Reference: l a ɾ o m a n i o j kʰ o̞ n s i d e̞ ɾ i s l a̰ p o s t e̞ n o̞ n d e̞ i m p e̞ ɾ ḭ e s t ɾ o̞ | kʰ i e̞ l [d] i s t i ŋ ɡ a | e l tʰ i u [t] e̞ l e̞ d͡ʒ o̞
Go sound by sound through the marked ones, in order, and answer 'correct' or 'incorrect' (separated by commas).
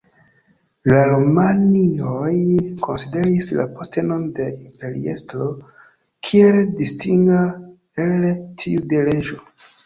correct, incorrect